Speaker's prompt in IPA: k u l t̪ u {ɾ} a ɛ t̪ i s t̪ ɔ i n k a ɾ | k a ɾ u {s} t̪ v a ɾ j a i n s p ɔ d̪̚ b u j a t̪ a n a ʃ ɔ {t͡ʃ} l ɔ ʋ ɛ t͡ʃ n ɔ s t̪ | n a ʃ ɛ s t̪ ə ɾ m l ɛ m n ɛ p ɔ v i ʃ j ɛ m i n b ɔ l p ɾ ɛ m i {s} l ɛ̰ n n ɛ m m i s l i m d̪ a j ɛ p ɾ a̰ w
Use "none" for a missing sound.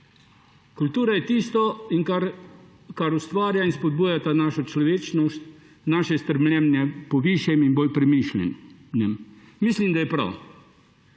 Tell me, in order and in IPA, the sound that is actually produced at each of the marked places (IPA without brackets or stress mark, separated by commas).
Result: ɾ, s, t͡ʃ, ʃ